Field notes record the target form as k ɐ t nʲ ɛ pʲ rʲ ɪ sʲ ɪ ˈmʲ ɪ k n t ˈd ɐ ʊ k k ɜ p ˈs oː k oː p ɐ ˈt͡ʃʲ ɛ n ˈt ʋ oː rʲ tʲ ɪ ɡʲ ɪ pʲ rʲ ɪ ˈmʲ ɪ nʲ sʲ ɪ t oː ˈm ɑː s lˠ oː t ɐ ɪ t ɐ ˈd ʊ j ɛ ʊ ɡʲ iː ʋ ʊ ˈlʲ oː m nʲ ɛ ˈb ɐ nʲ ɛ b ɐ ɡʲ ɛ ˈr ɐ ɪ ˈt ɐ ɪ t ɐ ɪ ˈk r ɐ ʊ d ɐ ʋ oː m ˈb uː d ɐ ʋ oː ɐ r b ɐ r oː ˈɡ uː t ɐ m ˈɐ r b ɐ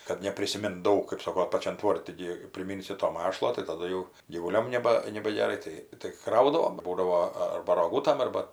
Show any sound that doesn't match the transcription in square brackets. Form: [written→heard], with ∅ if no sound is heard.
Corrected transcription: k ɐ t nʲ ɛ pʲ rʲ ɪ sʲ ɪ ˈmʲ ɪ [k→∅] n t ˈd ɐ ʊ k k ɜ p ˈs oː k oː p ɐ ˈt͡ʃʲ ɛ n ˈt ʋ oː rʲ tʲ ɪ ɡʲ ɪ pʲ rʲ ɪ ˈmʲ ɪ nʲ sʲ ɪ t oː ˈm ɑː [s→ʃ] lˠ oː t ɐ ɪ t ɐ ˈd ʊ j ɛ ʊ ɡʲ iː ʋ ʊ ˈlʲ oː m nʲ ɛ ˈb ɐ nʲ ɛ b ɐ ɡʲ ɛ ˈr ɐ ɪ ˈt ɐ ɪ t ɐ ɪ ˈk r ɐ ʊ d ɐ ʋ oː m ˈb uː d ɐ ʋ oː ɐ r b ɐ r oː ˈɡ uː t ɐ m ˈɐ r b ɐ